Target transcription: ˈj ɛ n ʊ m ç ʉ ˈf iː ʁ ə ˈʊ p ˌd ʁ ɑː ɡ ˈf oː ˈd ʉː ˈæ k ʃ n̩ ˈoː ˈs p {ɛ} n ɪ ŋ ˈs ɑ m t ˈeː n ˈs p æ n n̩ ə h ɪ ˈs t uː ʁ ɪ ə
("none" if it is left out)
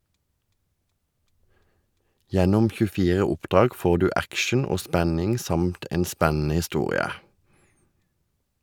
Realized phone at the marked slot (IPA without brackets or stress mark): æ